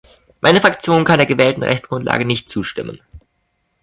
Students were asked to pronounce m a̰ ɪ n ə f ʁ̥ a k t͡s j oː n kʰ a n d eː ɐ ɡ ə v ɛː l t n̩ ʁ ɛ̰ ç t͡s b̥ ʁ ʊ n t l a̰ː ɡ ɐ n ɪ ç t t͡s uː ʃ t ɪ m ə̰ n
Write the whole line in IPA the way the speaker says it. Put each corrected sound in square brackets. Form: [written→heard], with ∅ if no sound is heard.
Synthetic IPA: m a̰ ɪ n ə f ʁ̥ a k t͡s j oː n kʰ a n d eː ɐ ɡ ə v ɛː l t n̩ ʁ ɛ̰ ç t͡s [b̥→ɡ̥] ʁ ʊ n t l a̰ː ɡ [ɐ→ə] n ɪ ç t t͡s uː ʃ t ɪ m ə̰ n